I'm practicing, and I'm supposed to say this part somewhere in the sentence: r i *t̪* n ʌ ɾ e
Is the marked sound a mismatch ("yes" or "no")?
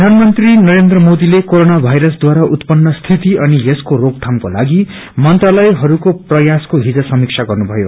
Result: yes